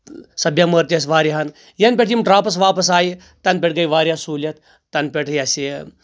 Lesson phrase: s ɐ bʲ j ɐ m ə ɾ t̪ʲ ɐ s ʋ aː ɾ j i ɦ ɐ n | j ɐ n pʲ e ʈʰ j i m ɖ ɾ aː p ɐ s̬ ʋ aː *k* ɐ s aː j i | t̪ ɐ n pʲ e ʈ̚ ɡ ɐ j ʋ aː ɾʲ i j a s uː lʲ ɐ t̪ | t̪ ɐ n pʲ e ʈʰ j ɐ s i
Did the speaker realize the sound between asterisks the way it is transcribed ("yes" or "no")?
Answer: no